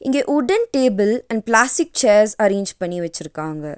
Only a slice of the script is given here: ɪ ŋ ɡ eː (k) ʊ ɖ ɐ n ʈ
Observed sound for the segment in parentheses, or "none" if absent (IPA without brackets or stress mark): ʔ